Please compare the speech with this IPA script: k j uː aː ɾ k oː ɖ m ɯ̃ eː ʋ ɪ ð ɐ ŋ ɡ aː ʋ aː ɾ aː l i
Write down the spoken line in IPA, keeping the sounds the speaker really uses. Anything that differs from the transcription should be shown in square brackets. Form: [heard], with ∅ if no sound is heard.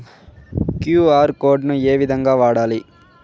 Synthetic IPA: k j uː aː ɾ k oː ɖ [n] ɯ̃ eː ʋ ɪ ð ɐ ŋ ɡ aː ʋ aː [ɽ] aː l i